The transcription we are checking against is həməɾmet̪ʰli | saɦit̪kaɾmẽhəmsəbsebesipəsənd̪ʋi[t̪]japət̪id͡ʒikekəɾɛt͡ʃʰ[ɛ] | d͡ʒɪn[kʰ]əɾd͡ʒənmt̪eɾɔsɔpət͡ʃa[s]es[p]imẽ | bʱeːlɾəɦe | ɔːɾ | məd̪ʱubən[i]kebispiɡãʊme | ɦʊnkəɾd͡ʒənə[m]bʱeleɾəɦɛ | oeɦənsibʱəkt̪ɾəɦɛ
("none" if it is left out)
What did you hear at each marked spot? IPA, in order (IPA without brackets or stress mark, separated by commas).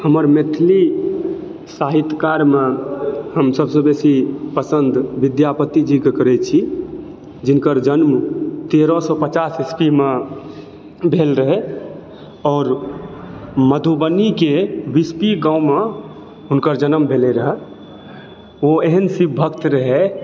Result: d̪, i, k, s, p, i, m